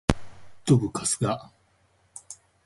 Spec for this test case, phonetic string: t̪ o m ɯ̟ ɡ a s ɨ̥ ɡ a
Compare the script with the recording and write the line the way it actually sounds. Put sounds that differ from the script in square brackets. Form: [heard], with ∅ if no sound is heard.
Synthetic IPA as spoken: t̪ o [b] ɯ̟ [k] a s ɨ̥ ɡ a